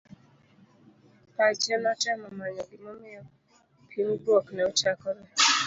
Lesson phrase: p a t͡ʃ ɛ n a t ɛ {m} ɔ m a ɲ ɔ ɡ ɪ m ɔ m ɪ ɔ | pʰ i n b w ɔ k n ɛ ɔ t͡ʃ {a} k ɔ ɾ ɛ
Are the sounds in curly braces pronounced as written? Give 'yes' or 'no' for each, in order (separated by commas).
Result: yes, yes